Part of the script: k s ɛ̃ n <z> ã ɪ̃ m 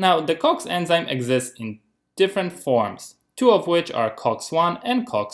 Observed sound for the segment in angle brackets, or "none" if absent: z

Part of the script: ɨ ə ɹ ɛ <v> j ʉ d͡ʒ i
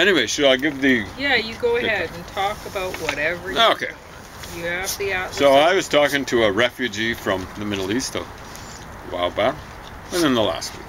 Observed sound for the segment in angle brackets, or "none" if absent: f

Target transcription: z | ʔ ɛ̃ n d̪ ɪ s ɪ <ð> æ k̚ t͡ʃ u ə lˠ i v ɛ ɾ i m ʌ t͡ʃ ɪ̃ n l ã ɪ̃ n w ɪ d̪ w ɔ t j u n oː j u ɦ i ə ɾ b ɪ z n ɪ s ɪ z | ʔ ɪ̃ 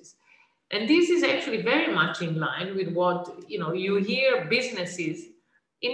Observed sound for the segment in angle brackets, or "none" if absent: z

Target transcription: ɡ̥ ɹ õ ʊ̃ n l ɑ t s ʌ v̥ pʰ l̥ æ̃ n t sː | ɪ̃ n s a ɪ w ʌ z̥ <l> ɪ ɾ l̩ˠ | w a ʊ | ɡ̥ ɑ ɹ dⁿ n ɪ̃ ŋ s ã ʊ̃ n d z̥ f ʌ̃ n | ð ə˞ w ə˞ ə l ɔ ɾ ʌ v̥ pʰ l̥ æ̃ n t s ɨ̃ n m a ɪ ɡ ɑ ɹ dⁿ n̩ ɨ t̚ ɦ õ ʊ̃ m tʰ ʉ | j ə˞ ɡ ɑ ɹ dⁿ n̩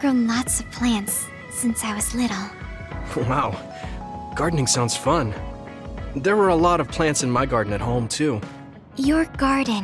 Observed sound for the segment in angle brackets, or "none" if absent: l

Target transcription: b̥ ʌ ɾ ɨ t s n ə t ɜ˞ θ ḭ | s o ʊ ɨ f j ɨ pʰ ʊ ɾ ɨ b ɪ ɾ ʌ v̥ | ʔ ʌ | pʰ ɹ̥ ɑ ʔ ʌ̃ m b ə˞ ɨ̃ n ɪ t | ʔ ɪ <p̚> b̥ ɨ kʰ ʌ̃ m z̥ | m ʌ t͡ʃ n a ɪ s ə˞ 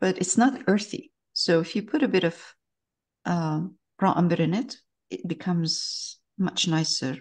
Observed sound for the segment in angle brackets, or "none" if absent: t̚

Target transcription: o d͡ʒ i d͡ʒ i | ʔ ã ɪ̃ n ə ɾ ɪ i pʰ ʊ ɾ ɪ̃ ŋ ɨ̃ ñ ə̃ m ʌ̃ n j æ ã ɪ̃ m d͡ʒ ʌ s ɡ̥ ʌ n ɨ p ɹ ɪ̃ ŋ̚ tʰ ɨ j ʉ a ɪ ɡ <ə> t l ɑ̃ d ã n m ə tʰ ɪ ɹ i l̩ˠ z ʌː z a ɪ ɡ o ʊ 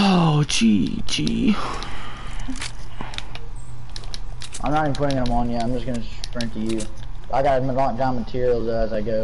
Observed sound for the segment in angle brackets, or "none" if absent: ɑ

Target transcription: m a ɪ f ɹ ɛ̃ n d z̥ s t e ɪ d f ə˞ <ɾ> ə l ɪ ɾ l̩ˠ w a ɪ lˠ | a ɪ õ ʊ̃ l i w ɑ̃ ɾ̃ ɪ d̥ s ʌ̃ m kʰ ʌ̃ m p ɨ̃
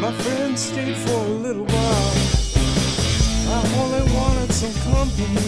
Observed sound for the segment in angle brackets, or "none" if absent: none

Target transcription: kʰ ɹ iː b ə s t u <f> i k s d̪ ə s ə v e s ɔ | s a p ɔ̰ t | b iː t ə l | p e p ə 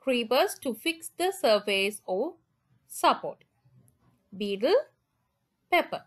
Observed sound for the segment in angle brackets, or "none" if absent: f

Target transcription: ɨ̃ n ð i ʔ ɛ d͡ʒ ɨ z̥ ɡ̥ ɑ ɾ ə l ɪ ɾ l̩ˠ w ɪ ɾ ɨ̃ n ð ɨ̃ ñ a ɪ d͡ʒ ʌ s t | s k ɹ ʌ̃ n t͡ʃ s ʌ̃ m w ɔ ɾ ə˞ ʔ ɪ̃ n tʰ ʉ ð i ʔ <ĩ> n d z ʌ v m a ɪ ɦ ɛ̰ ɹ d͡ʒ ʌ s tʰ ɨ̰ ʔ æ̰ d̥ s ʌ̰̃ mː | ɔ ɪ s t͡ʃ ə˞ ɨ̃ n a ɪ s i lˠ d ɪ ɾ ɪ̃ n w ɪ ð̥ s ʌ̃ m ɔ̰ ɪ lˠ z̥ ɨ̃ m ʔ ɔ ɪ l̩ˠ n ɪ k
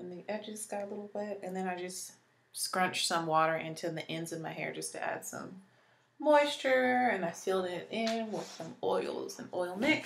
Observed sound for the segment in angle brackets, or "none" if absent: ɛ̃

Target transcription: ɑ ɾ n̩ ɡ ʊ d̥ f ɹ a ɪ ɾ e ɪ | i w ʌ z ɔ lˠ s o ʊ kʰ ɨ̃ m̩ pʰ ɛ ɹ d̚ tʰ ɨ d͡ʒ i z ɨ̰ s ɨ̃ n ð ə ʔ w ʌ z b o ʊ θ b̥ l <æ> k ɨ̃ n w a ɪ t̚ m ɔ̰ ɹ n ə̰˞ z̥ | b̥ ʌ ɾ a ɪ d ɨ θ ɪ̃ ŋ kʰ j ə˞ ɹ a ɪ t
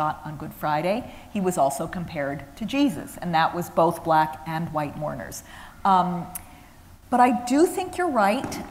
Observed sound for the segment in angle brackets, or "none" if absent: æ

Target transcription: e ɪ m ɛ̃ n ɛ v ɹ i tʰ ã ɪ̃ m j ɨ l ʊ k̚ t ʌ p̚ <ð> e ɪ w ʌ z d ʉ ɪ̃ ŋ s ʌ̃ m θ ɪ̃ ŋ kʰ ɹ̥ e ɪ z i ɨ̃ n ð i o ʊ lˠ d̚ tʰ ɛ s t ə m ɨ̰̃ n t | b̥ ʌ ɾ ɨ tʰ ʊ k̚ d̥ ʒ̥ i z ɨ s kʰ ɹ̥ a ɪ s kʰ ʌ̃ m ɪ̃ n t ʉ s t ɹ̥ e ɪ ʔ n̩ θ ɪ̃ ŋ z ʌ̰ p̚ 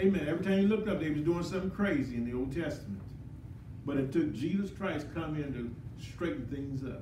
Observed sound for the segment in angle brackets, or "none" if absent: ð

